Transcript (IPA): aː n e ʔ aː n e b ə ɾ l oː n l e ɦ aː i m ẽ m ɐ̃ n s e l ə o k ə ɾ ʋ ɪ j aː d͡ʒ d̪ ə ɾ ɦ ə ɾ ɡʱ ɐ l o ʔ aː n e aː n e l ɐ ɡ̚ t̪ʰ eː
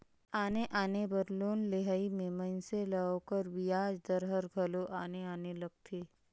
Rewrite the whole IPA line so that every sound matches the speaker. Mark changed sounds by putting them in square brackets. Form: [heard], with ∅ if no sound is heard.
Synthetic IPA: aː n e ʔ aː n e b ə ɾ l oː n l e ɦ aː i m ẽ m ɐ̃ n s e l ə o k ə ɾ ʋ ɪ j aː d͡ʒ d̪ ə ɾ ɦ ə ɾ ɡʱ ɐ l o ʔ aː n e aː n e l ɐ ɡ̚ t̪ʰ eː